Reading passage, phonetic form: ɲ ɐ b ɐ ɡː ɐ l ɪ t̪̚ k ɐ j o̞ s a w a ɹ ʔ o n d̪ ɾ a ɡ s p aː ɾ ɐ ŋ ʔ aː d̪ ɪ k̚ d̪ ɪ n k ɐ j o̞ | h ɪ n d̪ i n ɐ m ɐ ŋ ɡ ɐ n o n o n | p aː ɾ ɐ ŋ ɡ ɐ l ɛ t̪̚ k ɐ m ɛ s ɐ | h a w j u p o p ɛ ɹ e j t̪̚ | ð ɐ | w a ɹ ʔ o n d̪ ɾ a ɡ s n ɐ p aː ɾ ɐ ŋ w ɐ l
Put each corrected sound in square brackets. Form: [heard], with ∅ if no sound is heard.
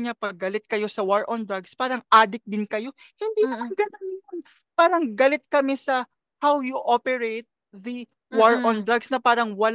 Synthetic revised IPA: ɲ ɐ [p] ɐ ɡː ɐ l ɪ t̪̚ k ɐ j o̞ s [ɐ] w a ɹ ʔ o n d̪ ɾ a ɡ s p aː ɾ ɐ ŋ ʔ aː d̪ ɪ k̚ d̪ ɪ n k ɐ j o̞ | h ɪ n d̪ i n ɐ m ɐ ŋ ɡ ɐ n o n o n | p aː ɾ ɐ ŋ ɡ ɐ l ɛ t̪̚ k ɐ m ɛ s ɐ | h a w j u [ʔ] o p ɛ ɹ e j t̪̚ | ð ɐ | w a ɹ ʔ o n d̪ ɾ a ɡ s n ɐ p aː ɾ ɐ ŋ w ɐ l